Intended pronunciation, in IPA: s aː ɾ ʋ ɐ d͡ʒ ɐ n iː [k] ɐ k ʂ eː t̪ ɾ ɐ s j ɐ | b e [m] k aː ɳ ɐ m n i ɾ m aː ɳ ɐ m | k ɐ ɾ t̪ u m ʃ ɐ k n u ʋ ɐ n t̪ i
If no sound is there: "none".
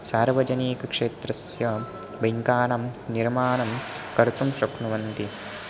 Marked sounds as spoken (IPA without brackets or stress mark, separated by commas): k, ŋ